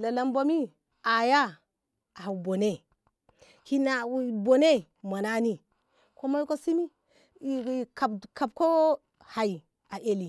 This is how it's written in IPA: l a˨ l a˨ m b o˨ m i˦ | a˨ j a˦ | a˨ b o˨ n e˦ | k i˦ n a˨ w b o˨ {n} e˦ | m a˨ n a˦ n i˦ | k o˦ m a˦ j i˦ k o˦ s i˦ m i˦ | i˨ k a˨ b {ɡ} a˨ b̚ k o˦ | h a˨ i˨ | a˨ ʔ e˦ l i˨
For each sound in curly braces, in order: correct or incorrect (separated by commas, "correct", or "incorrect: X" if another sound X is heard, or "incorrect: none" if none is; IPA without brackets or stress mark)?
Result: correct, incorrect: k